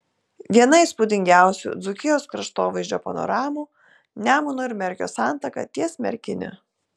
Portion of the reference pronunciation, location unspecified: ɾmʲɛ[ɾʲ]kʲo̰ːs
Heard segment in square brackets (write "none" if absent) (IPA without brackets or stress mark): ɾʲ